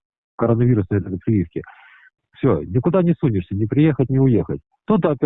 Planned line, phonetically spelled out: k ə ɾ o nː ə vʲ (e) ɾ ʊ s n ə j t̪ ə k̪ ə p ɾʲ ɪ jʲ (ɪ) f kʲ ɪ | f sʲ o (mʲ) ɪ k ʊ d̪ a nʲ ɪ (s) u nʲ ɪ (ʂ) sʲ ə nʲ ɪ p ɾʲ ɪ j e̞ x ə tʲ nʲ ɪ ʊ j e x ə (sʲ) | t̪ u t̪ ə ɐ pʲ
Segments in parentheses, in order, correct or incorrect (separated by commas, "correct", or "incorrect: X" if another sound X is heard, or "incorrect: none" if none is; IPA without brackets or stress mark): incorrect: i, incorrect: i, incorrect: nʲ, correct, correct, incorrect: tʲ